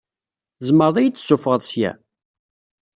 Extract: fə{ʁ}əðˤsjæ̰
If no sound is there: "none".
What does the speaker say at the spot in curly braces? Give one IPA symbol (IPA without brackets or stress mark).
ʁ